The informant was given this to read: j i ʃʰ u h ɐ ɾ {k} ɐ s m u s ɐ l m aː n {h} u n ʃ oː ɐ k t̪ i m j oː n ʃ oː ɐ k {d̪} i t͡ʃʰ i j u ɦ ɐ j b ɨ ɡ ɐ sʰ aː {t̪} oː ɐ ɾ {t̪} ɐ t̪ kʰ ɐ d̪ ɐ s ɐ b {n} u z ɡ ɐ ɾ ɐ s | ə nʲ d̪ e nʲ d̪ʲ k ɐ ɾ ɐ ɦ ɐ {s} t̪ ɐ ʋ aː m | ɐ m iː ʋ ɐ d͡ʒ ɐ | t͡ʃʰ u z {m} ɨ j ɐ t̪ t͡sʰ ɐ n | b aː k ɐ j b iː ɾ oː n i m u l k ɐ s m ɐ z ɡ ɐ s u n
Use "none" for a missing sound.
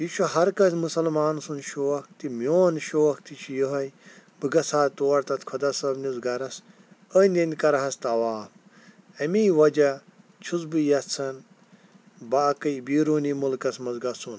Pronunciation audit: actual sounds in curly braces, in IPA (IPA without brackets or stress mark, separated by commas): k, s, t̪, t̪, t̪, n, s, b